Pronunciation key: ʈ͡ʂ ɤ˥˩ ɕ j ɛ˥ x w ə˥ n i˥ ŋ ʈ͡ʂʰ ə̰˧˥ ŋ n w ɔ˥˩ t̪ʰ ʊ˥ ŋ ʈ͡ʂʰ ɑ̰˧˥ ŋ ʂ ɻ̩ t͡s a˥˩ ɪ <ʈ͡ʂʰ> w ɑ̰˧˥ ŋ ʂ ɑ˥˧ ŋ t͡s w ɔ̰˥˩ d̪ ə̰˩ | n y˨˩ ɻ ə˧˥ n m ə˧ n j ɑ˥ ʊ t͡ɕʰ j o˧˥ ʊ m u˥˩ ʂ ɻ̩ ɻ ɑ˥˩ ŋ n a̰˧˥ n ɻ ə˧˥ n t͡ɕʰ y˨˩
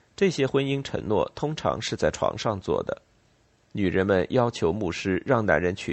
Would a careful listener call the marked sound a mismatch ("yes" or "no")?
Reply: no